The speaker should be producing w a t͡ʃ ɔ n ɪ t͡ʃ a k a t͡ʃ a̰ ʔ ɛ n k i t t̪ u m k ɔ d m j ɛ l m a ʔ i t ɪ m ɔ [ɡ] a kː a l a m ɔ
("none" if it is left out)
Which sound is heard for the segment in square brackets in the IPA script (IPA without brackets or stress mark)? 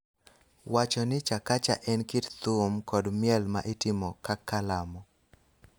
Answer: k